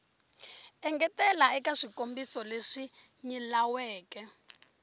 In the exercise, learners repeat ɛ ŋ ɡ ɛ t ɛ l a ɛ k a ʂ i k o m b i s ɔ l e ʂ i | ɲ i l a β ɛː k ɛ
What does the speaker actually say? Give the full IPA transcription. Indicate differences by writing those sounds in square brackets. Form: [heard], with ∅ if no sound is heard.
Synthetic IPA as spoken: ɛ ŋ ɡ ɛ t ɛ l a ɛ k a ʂ i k o m b i s ɔ l e ʂ i | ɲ i l a [w] ɛː k ɛ